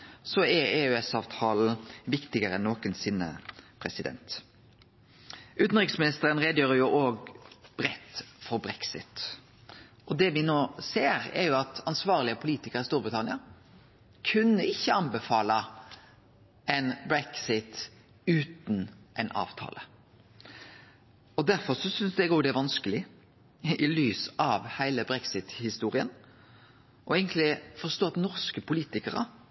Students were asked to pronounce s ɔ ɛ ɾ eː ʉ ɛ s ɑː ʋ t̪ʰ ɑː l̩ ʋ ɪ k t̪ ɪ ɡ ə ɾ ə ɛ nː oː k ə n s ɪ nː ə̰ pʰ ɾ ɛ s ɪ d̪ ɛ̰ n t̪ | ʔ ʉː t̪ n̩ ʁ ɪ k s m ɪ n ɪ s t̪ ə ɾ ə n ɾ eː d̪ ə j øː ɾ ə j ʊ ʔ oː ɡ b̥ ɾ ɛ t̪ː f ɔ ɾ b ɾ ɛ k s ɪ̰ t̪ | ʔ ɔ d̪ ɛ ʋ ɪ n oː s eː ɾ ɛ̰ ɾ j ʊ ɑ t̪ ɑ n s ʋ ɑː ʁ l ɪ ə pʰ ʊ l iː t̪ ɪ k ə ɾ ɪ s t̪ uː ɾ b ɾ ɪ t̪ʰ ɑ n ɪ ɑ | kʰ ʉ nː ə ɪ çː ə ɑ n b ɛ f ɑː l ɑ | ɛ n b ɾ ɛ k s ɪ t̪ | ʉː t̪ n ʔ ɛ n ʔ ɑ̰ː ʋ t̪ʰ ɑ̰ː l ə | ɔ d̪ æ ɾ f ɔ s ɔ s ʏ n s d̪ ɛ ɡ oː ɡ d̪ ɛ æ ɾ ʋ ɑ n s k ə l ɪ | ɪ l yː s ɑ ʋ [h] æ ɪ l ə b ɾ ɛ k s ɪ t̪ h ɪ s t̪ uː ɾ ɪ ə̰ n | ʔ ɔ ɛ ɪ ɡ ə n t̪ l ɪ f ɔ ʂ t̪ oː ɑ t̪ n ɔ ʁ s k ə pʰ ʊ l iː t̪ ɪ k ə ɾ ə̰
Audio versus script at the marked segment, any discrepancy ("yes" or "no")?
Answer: no